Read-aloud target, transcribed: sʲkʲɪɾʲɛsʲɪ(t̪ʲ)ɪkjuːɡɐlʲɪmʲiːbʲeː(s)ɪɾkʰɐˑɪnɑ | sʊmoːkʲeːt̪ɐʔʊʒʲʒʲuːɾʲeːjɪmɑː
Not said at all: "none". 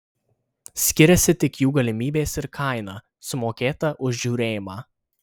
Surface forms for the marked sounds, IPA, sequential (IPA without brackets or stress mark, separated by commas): t̪ʲ, s